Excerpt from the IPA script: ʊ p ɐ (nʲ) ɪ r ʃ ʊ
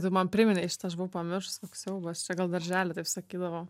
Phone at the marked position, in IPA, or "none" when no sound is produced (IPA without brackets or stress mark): mʲ